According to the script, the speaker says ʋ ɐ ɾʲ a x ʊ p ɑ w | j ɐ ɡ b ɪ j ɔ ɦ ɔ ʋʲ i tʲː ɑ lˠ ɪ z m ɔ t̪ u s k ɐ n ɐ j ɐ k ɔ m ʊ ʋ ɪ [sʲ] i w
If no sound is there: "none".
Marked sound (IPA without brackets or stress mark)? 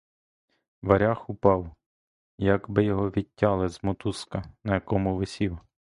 sʲ